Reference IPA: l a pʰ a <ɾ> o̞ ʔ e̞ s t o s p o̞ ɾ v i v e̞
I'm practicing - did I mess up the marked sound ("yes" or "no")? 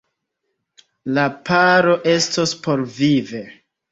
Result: no